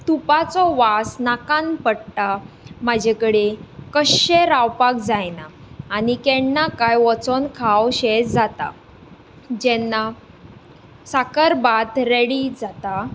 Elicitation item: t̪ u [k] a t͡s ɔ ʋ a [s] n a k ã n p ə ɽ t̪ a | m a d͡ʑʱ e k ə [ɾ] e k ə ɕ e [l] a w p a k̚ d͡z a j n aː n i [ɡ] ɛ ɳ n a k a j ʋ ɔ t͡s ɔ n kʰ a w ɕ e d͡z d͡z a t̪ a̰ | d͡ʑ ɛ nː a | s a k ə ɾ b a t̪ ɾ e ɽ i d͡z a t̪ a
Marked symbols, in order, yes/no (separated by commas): no, yes, no, no, no